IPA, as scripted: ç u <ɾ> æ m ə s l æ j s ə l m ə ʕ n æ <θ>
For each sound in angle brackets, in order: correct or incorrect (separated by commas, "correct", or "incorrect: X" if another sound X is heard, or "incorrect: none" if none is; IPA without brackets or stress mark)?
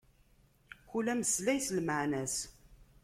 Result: incorrect: l, incorrect: s